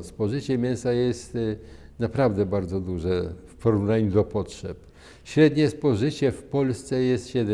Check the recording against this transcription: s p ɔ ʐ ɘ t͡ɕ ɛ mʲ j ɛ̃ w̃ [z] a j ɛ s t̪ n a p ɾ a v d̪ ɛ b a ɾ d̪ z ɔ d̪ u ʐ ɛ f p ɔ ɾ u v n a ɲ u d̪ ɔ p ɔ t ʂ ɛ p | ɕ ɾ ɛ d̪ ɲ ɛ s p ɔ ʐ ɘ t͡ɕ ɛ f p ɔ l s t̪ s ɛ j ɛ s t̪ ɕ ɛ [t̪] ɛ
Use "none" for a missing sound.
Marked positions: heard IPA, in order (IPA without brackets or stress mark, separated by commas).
s, d̪